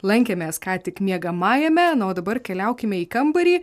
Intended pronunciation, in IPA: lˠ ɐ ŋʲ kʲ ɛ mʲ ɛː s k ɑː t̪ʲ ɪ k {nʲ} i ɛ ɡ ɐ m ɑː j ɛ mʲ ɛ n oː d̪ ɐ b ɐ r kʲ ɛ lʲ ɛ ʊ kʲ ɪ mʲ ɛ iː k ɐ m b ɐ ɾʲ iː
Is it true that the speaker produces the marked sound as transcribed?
no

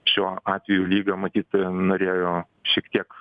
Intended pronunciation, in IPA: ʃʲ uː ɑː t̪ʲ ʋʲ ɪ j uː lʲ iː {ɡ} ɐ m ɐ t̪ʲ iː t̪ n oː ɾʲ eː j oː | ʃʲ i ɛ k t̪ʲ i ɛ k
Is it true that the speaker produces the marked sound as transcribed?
yes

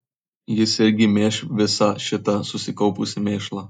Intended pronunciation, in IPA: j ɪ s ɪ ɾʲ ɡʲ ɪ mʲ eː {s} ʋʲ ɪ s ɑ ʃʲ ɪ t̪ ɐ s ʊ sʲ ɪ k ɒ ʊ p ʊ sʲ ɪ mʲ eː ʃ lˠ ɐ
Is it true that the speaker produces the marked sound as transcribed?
no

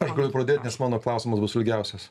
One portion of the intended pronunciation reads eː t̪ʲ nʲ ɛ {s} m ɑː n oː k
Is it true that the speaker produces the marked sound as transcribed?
yes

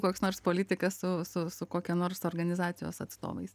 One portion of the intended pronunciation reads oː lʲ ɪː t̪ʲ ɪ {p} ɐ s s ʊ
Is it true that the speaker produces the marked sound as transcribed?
no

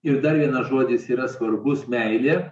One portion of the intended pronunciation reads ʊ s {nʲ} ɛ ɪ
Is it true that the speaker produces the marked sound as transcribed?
no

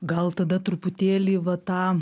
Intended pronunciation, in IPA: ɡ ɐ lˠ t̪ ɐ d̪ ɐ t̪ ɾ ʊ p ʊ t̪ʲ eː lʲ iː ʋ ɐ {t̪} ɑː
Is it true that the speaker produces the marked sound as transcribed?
yes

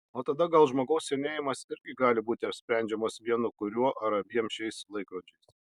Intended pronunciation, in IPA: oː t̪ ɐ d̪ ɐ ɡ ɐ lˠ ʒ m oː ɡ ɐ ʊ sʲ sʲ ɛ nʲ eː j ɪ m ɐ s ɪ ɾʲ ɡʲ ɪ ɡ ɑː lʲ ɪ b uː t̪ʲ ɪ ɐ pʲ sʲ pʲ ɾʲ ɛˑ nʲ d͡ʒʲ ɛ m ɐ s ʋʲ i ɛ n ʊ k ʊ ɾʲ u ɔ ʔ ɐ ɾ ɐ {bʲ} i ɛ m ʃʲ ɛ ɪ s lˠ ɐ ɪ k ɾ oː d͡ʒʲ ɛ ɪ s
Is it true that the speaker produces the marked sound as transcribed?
yes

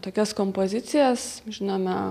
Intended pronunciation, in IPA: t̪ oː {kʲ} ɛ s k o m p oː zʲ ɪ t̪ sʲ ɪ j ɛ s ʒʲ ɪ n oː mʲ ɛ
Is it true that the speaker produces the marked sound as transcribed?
yes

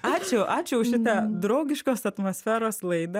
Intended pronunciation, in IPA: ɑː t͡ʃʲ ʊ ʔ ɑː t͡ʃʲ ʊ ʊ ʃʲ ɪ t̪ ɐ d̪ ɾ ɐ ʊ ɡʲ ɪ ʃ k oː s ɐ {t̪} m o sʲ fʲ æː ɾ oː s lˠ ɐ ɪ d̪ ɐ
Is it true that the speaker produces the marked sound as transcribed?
yes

